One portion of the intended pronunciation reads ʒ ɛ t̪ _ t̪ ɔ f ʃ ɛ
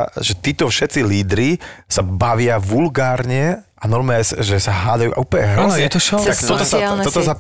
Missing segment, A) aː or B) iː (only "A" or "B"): B